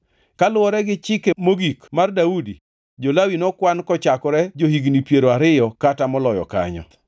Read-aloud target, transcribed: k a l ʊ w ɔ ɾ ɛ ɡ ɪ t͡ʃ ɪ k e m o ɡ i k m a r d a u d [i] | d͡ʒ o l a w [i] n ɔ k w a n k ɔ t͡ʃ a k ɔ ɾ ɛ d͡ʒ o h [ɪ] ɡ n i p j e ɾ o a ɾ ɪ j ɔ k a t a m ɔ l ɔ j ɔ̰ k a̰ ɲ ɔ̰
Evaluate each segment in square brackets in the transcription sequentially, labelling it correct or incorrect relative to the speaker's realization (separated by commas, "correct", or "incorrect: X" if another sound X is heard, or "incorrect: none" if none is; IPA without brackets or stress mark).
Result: correct, correct, incorrect: i